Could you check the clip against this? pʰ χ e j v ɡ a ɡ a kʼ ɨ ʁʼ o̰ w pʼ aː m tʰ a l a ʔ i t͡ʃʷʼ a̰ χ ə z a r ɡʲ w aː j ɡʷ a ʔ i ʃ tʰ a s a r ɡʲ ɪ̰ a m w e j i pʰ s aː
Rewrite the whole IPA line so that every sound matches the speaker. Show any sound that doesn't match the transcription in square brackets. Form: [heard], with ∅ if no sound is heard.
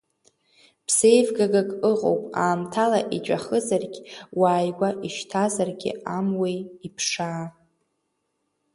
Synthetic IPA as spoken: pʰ [s] e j v ɡ a ɡ a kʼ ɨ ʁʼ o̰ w pʼ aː m tʰ a l a ʔ i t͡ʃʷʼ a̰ χ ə z a r ɡʲ w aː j ɡʷ a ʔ i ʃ tʰ a [z] a r ɡʲ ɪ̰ a m w e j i pʰ [ʂ] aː